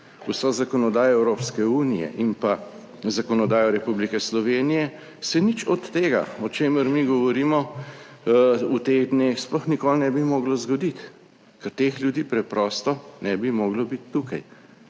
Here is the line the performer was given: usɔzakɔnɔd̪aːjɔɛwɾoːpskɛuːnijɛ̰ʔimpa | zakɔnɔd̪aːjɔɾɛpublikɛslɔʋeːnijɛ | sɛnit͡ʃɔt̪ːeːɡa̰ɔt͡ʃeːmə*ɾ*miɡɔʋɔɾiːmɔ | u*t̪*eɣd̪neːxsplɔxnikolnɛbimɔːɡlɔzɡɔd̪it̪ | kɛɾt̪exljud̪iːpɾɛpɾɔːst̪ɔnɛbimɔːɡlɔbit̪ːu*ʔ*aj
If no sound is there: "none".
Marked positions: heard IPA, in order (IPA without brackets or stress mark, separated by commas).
ɾ, t̪, k